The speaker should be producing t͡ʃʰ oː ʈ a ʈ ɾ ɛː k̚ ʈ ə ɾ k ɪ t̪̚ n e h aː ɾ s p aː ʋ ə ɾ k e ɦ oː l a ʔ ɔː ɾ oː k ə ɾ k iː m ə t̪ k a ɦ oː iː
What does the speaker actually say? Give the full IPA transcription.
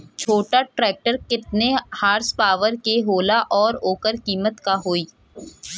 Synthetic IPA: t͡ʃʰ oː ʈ a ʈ ɾ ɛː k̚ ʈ ə ɾ k ɪ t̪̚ n e h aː ɾ s p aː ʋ ə ɾ k e ɦ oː l a ʔ ɔː ɾ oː k ə ɾ k iː m ə t̪ k a ɦ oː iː